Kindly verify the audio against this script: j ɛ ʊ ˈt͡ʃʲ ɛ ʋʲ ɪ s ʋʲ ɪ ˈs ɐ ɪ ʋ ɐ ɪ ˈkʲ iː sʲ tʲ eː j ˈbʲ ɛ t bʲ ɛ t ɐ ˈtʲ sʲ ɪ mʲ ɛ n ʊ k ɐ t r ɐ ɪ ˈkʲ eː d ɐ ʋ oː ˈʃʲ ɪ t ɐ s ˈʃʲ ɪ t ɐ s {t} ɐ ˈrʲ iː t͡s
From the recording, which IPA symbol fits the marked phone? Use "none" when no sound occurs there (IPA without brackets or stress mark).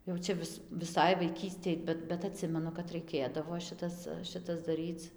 d